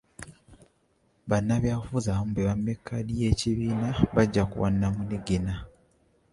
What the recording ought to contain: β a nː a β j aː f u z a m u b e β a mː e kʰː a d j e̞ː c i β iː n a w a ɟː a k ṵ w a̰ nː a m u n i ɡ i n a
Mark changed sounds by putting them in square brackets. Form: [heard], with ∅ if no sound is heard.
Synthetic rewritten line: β a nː a β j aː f u z a m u b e β a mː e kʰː a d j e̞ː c i β iː n a [β] a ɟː a k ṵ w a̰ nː a m u n i ɡ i n a